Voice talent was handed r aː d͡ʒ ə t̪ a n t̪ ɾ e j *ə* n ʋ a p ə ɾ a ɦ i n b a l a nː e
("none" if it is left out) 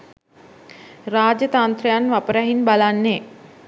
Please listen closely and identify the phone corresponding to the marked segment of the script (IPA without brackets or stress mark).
a